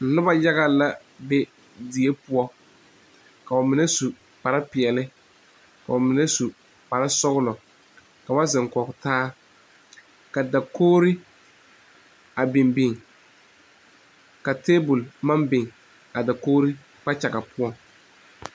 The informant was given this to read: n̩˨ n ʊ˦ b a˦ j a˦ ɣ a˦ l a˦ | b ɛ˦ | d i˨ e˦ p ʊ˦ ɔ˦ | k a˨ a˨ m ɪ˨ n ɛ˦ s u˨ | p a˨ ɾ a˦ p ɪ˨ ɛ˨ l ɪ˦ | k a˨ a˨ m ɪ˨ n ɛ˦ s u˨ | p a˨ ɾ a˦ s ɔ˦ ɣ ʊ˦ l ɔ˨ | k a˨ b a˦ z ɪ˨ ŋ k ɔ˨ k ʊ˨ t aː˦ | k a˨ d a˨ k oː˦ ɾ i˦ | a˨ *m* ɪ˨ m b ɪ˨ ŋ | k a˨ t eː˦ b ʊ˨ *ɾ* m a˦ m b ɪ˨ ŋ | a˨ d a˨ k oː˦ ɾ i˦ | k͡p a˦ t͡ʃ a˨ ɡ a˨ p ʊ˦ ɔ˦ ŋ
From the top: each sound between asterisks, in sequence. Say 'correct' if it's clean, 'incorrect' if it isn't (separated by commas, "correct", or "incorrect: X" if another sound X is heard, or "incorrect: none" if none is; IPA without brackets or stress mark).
incorrect: b, incorrect: l